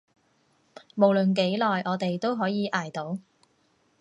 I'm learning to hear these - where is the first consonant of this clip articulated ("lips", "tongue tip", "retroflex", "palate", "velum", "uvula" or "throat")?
lips